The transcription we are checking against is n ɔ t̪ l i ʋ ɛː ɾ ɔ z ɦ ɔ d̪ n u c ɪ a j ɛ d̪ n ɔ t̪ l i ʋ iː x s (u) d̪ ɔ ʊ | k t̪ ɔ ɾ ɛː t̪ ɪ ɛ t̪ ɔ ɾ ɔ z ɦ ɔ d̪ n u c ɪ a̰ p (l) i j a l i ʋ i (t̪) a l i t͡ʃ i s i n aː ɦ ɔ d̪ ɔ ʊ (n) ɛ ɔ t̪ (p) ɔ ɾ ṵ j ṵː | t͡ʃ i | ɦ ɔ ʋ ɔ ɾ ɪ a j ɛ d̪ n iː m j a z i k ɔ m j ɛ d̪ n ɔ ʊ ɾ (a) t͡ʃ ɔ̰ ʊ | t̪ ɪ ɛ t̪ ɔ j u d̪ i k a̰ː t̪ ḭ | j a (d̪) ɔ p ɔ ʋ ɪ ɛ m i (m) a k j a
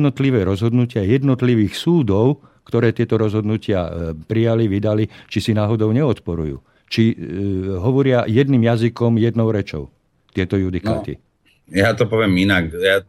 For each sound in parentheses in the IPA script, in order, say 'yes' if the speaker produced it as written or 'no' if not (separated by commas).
no, no, no, no, yes, no, no, no